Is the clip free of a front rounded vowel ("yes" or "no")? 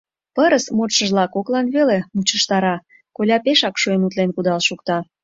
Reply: yes